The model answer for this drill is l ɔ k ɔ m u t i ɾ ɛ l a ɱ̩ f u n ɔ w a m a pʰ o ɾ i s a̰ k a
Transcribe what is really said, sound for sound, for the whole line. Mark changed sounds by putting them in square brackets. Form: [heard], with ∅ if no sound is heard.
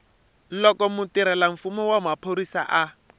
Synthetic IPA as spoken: l ɔ k ɔ m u t i ɾ ɛ l a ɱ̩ f u [m] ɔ w a m a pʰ o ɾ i s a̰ [ʔ] a